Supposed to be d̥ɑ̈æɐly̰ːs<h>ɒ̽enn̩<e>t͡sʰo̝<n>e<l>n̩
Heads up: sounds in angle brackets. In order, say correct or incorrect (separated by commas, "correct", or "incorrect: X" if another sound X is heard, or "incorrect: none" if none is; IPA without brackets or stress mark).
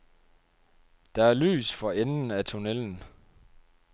incorrect: f, incorrect: æ, correct, correct